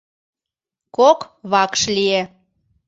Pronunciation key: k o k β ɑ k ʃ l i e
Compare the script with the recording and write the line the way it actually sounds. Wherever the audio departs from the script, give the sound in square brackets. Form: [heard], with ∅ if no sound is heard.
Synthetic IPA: k o k β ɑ k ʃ l i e